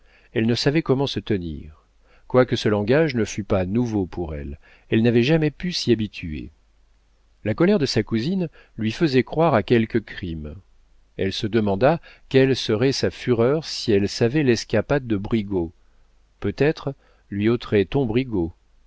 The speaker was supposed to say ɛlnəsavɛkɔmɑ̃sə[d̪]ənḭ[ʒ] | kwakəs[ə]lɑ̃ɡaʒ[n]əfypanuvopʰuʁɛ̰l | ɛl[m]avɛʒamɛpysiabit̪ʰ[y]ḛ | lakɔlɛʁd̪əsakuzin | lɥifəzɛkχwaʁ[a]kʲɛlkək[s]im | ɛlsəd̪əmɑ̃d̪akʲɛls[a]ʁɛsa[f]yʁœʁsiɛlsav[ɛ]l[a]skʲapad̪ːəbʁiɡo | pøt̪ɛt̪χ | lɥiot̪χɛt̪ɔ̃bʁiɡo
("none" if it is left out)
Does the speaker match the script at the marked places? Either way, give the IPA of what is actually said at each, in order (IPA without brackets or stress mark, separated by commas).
t̪, ʁ, ə, n, n, y, a, χ, ə, f, ɛ, ɛ